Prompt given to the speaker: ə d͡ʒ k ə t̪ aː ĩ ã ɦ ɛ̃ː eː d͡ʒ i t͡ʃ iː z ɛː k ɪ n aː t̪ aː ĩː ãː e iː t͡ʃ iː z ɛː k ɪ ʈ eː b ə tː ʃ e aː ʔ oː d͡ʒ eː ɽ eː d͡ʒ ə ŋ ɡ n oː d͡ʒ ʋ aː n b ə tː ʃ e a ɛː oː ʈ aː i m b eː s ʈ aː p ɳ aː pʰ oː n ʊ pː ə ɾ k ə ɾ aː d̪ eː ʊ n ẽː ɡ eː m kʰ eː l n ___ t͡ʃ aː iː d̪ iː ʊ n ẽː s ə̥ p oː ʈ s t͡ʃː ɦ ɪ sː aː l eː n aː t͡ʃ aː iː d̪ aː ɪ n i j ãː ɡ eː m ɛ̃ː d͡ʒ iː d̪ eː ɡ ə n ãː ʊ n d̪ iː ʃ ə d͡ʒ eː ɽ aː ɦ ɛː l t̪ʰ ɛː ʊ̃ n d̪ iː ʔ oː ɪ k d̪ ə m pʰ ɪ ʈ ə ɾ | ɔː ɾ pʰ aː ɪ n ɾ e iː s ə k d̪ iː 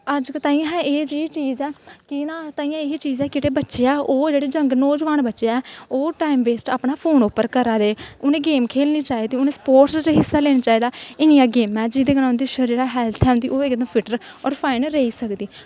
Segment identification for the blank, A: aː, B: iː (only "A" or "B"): B